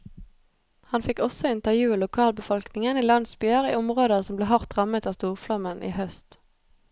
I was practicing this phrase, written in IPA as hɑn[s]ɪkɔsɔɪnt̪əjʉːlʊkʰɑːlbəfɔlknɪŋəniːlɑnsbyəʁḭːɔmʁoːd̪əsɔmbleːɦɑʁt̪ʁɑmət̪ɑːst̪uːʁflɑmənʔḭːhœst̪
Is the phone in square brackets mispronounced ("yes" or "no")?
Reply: yes